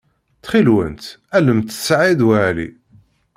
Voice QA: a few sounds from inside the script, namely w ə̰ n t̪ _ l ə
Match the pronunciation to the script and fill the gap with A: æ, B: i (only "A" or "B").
A